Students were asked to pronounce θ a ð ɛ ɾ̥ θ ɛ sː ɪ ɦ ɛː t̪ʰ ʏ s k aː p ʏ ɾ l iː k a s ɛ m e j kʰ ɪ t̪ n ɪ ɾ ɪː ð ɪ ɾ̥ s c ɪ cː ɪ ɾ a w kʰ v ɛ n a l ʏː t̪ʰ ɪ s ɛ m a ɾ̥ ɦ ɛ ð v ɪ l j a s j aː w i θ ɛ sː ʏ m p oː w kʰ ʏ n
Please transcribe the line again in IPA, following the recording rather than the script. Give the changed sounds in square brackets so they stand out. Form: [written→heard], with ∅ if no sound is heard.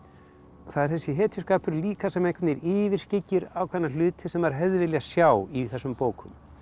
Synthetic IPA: θ a ð ɛ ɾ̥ θ ɛ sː ɪ ɦ ɛː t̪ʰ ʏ s k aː p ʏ ɾ l iː k a s ɛ m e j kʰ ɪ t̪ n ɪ ɾ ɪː [ð→v] ɪ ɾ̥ s c ɪ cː ɪ ɾ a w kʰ v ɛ n a l ʏː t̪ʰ ɪ s ɛ m a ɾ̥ ɦ ɛ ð v ɪ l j a s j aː w i θ ɛ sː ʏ m p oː w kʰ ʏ [n→m]

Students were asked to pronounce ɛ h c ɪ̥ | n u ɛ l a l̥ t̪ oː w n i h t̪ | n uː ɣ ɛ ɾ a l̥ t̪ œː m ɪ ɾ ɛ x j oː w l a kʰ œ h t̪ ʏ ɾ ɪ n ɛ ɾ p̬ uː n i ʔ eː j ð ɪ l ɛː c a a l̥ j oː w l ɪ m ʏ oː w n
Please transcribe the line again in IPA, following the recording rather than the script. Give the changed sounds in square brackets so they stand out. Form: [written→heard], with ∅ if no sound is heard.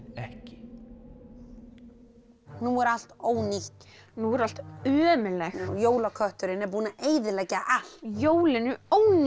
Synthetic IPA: ɛ h c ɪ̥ | n u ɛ [l→ɾ] a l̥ t̪ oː w n i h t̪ | n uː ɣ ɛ ɾ a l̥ t̪ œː m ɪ [ɾ→l] ɛ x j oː w l a kʰ œ h t̪ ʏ ɾ ɪ n ɛ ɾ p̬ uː n [i→a] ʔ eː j ð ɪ l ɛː c a a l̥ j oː w l ɪ [m→n] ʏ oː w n

